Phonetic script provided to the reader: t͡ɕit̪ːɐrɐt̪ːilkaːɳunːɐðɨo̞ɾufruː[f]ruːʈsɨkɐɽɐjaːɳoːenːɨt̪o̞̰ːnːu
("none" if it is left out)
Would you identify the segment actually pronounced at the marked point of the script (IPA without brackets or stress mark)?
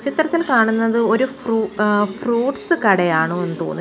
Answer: f